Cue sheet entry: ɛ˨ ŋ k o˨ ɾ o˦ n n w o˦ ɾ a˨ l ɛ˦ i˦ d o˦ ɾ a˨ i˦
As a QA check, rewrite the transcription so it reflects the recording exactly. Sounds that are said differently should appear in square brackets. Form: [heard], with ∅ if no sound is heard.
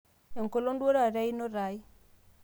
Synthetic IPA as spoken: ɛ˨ ŋ k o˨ [l] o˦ n [d] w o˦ ɾ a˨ [ɾ] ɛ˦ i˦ [n] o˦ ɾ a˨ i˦